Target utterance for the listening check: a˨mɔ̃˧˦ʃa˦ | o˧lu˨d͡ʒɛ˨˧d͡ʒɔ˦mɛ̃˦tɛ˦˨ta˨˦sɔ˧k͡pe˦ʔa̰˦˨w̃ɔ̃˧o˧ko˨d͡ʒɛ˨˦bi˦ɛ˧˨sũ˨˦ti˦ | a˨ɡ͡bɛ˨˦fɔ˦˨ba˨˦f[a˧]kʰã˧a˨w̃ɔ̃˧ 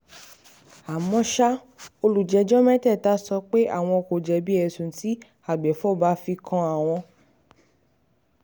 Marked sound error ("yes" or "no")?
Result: yes